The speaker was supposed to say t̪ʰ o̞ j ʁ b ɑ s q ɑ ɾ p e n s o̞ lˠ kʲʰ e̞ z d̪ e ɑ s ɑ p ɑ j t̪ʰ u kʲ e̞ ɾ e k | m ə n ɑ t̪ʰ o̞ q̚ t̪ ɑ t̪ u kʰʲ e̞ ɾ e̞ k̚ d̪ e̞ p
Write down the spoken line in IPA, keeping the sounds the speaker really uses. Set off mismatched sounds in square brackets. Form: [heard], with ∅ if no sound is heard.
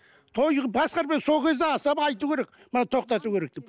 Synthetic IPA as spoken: t̪ʰ o̞ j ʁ b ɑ s q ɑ ɾ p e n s o̞ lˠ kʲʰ e̞ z d̪ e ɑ s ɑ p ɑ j [t̪] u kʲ e̞ ɾ e k | m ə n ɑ t̪ʰ o̞ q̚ t̪ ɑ t̪ u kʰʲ e̞ ɾ e̞ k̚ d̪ e̞ p